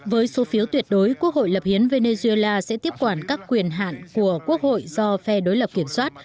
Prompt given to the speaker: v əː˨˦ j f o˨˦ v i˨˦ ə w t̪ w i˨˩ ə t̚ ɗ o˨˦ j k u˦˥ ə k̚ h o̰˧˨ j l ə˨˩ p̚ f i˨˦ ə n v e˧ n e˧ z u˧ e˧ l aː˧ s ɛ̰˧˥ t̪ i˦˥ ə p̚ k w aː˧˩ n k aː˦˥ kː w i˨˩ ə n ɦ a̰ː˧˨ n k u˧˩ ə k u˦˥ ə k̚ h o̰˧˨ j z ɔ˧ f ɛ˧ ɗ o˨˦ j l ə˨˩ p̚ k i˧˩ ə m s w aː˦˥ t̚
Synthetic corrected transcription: v əː˨˦ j s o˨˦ f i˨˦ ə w t̪ w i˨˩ ə t̚ ɗ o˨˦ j k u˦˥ ə k̚ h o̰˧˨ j l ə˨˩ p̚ h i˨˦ ə n v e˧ n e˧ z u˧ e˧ l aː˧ s ɛ̰˧˥ t̪ i˦˥ ə p̚ k w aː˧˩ n k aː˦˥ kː w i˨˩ ə n ɦ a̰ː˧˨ n k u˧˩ ə k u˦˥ ə k̚ h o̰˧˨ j z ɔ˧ f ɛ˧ ɗ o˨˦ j l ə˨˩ p̚ k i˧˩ ə m s w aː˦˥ t̚